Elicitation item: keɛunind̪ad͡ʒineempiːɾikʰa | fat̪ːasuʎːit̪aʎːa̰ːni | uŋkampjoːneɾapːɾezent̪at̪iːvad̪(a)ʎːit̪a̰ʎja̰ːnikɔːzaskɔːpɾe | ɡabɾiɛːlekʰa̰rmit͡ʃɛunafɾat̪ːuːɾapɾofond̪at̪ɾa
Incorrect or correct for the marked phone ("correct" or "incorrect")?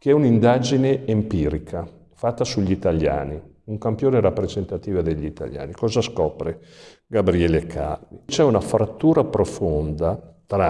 incorrect